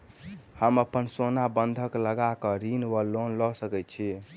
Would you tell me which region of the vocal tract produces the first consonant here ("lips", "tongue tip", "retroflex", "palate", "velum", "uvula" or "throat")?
throat